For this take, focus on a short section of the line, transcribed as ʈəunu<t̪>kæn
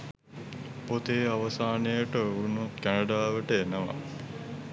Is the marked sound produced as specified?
yes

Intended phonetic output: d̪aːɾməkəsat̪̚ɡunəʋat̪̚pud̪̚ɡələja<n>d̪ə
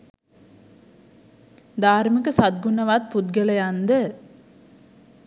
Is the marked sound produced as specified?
yes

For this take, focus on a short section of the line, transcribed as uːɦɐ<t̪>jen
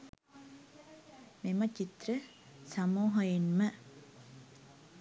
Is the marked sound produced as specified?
no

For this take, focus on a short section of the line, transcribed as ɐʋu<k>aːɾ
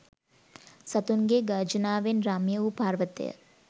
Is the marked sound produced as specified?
no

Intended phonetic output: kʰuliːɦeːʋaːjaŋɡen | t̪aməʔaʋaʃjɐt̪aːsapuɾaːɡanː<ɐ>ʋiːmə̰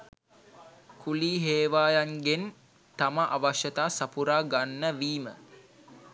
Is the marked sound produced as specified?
no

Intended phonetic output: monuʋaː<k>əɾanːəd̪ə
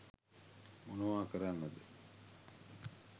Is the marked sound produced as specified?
yes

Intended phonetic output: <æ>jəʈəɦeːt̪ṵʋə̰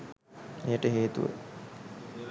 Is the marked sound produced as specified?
no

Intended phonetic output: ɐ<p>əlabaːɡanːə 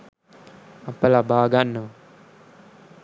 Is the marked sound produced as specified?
yes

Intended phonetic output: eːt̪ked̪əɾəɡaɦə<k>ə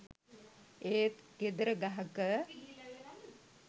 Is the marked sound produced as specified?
yes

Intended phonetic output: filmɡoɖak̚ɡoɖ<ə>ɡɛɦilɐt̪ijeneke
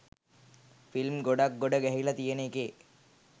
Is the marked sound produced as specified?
yes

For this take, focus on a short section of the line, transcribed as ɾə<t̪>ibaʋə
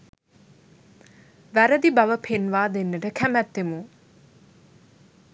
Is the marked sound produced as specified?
no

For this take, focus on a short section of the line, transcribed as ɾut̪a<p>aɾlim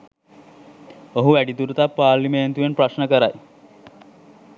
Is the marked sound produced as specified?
yes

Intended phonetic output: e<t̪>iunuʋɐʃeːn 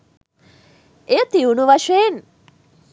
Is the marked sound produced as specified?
yes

